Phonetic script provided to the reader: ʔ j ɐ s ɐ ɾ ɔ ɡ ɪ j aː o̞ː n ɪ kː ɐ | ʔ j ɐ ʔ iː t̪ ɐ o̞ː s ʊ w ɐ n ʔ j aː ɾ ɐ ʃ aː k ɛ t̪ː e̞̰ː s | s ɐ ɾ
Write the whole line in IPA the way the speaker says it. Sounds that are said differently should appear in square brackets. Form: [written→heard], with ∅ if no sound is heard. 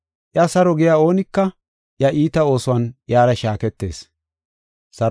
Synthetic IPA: ʔ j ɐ s ɐ ɾ ɔ ɡ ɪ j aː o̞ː n ɪ kː ɐ | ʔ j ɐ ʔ iː t̪ ɐ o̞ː s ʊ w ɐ n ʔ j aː ɾ ɐ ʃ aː k ɛ t̪ː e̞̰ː s | s ɐ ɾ